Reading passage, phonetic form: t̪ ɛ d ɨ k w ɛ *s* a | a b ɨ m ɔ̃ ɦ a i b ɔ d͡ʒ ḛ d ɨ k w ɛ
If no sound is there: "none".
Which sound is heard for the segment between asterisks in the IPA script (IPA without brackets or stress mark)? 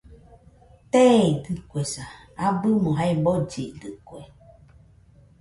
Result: s